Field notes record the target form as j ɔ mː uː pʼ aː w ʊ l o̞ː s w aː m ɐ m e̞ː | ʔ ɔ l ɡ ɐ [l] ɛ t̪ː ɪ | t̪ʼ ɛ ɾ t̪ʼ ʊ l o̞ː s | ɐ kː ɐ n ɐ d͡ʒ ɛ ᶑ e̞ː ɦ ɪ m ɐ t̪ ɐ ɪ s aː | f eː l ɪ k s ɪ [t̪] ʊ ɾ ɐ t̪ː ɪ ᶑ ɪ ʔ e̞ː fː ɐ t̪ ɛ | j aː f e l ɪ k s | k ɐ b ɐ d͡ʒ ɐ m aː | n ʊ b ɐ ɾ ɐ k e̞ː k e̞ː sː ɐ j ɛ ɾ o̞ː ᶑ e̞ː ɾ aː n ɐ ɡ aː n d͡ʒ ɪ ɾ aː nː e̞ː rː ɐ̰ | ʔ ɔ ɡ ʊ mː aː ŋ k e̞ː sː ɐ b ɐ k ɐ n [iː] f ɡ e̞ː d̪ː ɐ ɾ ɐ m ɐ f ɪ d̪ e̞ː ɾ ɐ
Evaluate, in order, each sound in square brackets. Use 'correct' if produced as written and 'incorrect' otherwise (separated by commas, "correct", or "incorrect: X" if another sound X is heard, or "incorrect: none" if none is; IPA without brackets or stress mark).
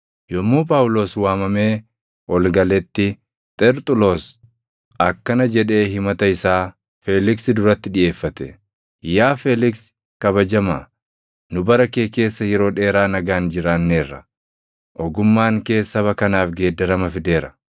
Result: correct, incorrect: d̪, incorrect: aː